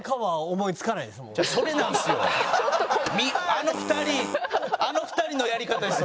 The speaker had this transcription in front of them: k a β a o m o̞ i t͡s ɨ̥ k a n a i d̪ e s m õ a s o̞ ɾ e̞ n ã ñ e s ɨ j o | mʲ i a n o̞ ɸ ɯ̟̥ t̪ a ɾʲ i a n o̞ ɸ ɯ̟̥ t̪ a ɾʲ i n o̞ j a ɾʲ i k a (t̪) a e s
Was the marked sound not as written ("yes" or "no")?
no